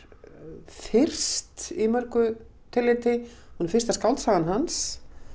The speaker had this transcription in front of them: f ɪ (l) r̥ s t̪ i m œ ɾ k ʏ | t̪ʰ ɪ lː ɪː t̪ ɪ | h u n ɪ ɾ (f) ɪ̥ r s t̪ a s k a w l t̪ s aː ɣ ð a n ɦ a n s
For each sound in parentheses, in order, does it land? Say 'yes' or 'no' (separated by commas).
no, yes